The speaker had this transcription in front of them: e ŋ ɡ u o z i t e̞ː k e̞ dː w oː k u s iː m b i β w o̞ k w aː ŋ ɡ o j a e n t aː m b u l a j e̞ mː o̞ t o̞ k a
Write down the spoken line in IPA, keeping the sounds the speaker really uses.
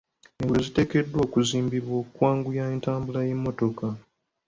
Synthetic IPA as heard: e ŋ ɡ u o z i t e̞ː k e̞ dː w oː k u z iː m b i β w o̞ k w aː ŋ ɡ u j a e n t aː m b u l a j e̞ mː o̞ t o̞ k a